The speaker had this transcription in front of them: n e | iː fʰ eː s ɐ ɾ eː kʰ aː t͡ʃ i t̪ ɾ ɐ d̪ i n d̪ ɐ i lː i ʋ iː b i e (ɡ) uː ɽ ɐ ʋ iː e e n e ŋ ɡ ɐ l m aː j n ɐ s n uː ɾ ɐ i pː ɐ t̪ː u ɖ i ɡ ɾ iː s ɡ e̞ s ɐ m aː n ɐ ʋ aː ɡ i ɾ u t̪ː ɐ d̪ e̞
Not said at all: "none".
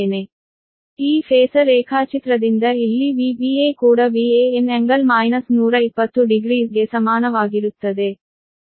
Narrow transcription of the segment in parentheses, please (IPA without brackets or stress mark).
k